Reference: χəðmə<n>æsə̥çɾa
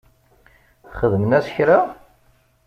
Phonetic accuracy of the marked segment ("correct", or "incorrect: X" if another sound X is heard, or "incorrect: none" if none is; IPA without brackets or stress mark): correct